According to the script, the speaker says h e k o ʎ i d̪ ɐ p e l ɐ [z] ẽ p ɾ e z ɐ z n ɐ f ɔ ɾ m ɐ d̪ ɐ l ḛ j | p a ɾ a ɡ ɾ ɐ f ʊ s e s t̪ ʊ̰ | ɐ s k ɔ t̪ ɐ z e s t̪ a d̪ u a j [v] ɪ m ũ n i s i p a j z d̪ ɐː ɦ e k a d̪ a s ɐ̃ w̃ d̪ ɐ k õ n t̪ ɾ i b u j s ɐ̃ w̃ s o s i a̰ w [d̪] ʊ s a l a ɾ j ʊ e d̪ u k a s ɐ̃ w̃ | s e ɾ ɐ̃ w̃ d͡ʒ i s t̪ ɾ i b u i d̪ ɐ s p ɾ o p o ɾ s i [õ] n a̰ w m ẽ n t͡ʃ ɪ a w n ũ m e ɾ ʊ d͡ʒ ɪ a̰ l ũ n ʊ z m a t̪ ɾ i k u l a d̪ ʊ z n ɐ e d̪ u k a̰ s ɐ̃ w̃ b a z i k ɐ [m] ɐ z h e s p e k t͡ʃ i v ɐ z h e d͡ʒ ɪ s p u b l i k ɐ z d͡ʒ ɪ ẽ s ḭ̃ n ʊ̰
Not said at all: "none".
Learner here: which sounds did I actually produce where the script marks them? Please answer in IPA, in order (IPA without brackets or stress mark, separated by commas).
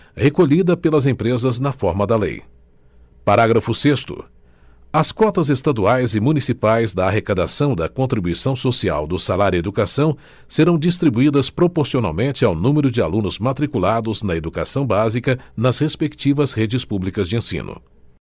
z, z, d̪, o, n